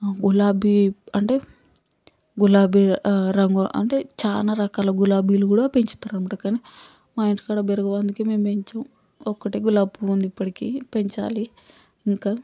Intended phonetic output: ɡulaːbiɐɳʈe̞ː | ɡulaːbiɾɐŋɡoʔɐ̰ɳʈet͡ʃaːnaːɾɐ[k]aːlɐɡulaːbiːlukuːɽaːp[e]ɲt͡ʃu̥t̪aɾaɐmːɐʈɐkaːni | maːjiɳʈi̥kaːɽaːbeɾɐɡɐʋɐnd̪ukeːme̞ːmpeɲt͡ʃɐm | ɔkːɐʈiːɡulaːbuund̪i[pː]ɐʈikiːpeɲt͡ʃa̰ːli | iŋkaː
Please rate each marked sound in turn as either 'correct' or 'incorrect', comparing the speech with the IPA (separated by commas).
correct, correct, correct